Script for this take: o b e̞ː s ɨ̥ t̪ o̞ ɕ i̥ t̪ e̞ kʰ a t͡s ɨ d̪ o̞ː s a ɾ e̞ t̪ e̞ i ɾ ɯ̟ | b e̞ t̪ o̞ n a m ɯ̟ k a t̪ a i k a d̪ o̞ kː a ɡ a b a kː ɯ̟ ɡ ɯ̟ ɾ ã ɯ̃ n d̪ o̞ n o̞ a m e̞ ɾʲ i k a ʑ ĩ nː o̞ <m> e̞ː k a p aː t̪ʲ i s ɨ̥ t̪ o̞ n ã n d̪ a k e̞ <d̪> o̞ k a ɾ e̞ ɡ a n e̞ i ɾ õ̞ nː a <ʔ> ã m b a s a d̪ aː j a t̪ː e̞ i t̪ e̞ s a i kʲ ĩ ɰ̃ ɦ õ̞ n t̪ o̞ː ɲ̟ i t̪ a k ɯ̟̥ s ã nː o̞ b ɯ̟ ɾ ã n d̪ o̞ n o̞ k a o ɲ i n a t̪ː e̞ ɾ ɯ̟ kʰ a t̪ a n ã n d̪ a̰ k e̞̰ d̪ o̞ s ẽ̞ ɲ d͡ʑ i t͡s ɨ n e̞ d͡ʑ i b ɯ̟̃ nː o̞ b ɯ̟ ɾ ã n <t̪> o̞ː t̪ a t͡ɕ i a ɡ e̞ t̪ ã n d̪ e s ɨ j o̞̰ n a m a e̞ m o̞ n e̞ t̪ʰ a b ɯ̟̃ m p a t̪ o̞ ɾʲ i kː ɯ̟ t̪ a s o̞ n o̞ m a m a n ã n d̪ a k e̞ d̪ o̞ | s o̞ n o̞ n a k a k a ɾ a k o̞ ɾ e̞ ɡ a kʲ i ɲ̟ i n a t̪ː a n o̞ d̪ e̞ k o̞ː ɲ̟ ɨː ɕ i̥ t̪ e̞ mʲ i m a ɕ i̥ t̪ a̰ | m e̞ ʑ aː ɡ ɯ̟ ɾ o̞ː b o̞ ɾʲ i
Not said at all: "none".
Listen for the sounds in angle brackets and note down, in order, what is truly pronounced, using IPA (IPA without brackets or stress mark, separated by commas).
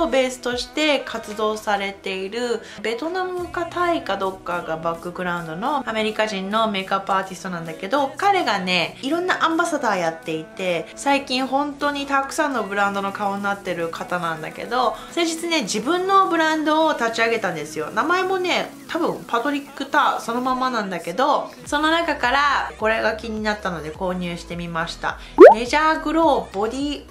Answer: m, d̪, ʔ, d̪